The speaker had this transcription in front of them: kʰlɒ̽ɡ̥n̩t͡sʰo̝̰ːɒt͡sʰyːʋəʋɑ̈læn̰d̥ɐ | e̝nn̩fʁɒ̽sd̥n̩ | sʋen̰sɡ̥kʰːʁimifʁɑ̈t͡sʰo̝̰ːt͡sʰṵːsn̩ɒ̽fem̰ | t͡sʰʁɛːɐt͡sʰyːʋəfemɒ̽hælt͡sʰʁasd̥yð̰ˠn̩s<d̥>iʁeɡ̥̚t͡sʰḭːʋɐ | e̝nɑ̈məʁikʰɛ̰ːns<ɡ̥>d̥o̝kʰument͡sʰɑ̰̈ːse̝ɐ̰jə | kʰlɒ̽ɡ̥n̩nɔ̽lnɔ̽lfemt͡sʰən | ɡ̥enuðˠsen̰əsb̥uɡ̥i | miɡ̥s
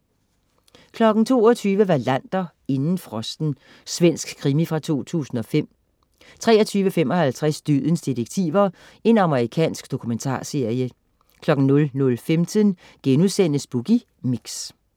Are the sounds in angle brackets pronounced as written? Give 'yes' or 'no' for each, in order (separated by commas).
yes, yes